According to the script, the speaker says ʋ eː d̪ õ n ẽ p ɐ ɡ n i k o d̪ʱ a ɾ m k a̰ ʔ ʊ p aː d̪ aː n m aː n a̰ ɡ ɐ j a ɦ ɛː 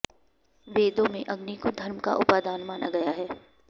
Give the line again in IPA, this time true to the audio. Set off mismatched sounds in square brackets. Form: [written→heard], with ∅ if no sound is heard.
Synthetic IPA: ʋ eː d̪ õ [n→m] ẽ [p→ʔ] ɐ ɡ n i k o d̪ʱ [a→ɐ] ɾ m k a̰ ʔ ʊ p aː d̪ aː n m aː n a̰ ɡ ɐ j a ɦ ɛː

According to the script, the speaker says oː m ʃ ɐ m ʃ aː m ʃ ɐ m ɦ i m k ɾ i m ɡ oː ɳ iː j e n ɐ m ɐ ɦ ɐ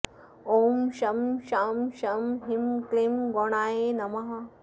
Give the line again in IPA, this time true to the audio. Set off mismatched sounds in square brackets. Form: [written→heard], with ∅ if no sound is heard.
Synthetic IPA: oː m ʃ ɐ m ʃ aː m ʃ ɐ m ɦ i m k [ɾ→l] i m ɡ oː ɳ [iː→aː] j e n ɐ m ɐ ɦ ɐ

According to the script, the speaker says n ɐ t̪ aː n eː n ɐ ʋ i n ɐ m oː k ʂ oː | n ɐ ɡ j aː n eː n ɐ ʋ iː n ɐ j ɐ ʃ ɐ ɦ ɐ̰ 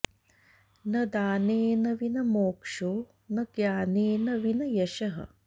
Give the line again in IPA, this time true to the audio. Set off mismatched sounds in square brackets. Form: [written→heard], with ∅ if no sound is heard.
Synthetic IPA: n ɐ [t̪→d̪] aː n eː n ɐ ʋ i n ɐ m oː k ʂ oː | n ɐ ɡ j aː n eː n ɐ ʋ [iː→i] n ɐ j ɐ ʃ ɐ ɦ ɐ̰

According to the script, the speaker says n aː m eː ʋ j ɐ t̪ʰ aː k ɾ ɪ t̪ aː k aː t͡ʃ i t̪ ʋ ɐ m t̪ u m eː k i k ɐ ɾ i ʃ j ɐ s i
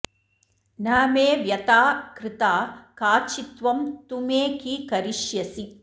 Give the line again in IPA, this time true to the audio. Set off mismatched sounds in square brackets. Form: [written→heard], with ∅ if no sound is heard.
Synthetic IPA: n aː m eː ʋ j ɐ [t̪ʰ→t̪] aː k ɾ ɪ t̪ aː k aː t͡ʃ i t̪ ʋ ɐ m t̪ u m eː k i k ɐ ɾ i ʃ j ɐ s i

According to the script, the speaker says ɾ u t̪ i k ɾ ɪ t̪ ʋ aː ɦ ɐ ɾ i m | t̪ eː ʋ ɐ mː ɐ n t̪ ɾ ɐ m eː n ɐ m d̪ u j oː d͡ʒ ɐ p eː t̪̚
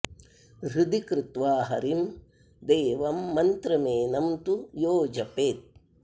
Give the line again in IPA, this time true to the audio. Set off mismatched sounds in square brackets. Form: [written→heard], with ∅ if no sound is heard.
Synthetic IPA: ɾ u [t̪→d̪] i k ɾ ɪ t̪ ʋ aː ɦ ɐ ɾ i m | [t̪→d̪] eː ʋ ɐ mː ɐ n t̪ ɾ ɐ m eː n ɐ m [d̪→t̪] u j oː d͡ʒ ɐ p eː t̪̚

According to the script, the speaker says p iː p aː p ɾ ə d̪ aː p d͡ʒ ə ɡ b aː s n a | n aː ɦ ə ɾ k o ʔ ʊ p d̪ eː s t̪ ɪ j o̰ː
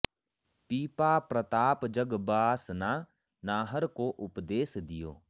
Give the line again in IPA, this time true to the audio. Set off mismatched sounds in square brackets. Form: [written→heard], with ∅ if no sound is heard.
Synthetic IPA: p iː p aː p ɾ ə [d̪→t̪] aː p d͡ʒ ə ɡ b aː s n a | n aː ɦ ə ɾ k o ʔ ʊ p d̪ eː s [t̪→d̪] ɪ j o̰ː

